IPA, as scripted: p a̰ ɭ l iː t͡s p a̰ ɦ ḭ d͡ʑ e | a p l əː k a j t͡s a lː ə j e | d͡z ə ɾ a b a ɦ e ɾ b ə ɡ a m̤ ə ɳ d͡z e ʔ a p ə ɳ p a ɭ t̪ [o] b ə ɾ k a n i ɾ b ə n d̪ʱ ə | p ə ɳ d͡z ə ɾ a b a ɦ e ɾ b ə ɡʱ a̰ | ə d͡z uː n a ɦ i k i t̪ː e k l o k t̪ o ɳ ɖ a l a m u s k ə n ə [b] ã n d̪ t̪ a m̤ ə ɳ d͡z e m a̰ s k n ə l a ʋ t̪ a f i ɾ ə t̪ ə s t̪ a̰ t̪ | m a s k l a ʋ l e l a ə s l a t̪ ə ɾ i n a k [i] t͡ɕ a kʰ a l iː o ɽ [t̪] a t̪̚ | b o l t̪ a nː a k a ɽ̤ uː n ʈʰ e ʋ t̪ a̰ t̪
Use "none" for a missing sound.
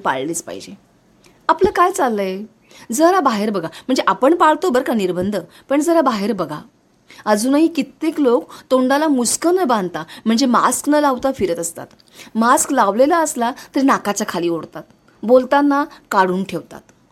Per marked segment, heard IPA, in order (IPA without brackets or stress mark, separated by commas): o, b, a, t̪